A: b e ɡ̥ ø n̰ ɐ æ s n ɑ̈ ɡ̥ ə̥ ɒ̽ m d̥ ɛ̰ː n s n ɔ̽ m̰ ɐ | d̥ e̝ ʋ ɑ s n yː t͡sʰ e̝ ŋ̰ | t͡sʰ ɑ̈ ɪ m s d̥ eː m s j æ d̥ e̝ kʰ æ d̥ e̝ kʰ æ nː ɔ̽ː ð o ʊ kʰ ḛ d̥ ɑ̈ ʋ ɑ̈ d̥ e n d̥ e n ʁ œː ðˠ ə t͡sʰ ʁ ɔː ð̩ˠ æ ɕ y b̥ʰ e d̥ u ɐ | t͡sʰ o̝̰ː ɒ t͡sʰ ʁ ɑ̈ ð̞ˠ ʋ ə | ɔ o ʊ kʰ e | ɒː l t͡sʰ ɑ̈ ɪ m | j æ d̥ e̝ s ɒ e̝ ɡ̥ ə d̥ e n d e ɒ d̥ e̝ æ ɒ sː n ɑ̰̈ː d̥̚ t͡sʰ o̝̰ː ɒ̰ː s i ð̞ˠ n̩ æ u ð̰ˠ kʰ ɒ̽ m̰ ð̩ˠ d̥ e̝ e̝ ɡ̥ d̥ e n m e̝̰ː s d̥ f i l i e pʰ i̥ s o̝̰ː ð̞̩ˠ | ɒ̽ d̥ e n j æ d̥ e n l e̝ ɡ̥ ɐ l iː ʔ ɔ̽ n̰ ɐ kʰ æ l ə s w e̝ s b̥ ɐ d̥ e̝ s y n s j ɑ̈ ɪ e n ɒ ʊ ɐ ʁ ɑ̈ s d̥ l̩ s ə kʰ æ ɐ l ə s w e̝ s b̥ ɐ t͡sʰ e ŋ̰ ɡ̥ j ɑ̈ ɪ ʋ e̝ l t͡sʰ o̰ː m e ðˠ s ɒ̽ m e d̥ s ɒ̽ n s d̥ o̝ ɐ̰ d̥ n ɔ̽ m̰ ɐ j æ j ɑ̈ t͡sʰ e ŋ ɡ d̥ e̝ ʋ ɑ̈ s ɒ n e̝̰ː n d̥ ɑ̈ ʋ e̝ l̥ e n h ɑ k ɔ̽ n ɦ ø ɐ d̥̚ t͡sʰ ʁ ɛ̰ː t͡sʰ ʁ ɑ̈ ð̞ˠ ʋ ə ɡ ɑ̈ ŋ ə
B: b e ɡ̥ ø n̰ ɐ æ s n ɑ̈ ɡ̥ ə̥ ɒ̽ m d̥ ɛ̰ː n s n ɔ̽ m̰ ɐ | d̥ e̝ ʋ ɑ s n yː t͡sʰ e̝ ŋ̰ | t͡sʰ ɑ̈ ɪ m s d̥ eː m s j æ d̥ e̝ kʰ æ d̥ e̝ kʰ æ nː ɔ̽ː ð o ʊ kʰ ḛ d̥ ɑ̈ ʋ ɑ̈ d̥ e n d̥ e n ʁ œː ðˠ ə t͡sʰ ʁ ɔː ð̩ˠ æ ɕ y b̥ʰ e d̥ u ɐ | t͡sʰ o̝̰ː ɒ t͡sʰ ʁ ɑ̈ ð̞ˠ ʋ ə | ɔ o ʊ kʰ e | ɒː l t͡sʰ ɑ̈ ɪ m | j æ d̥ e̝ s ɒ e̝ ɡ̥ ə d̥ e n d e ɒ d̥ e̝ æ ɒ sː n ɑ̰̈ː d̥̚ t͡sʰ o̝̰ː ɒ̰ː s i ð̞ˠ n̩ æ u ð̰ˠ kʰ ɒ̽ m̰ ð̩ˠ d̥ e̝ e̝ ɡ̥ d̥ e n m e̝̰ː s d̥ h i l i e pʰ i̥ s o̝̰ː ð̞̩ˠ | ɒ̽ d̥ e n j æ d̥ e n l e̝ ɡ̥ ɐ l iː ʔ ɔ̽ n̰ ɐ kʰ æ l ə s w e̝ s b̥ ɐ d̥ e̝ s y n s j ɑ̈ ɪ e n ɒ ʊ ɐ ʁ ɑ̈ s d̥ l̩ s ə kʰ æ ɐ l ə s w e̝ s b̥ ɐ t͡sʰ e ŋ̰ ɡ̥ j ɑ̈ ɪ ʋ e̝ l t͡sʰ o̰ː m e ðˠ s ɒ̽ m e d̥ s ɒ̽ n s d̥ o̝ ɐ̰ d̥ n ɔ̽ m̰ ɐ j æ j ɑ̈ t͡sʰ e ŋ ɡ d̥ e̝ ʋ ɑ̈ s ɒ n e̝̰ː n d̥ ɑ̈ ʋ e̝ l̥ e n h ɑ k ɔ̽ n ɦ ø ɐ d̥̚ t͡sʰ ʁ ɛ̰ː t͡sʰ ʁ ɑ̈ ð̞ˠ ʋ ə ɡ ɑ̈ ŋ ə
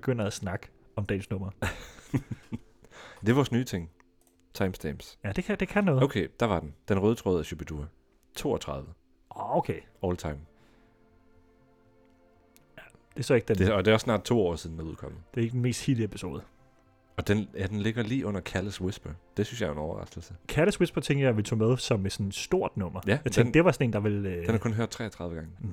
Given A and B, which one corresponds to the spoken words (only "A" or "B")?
B